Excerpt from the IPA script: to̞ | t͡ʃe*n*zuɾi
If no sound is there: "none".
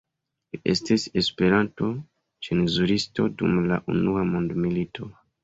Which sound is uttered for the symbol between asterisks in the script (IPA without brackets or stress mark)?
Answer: n